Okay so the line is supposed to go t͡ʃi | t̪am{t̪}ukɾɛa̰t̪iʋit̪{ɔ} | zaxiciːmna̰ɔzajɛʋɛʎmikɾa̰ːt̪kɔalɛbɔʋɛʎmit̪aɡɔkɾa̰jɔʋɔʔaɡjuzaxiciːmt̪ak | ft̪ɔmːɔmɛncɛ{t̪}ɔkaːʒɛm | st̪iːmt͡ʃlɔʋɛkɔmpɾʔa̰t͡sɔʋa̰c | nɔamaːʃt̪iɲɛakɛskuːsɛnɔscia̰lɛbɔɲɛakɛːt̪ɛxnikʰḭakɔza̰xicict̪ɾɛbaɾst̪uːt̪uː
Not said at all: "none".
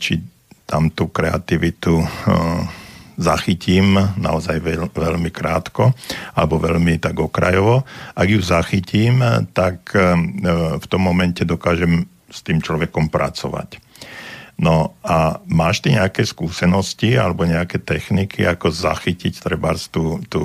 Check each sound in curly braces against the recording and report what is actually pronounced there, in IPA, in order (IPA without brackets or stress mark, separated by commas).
t̪, u, d̪